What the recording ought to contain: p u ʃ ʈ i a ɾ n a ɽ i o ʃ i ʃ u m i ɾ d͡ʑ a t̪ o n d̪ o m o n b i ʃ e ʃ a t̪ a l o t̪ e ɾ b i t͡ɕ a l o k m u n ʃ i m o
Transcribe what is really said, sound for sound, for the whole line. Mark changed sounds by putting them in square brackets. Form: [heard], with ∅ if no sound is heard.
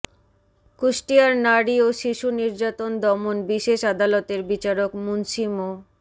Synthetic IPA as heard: [k] u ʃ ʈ i a ɾ n a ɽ i o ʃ i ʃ u [n] i ɾ d͡ʑ a t̪ o n d̪ [ɔ] m o n b i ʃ e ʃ a [d̪] a l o t̪ e ɾ b i t͡ɕ a [ɾ] o k m u n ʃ i m o